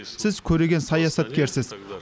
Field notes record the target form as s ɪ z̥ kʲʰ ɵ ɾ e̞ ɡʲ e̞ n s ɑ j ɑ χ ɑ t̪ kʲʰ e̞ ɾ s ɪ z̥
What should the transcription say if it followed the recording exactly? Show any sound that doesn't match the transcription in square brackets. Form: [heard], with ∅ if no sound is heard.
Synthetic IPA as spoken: s ɪ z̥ kʲʰ ɵ ɾ e̞ ɡʲ e̞ n s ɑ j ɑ [s] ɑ t̪ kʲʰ e̞ ɾ s ɪ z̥